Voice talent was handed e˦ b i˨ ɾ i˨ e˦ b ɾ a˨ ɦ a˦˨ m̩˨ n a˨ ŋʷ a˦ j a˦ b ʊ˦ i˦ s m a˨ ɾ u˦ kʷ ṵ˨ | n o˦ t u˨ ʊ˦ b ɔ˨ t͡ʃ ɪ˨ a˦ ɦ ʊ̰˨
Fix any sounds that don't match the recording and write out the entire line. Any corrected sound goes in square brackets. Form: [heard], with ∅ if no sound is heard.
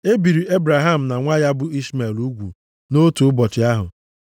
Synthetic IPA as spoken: e˦ b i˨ ɾ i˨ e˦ b ɾ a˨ ɦ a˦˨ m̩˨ n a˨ ŋʷ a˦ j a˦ b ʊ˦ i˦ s m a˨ [l] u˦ [ɡʷ] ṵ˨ | n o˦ t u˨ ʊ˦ b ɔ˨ t͡ʃ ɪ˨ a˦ ɦ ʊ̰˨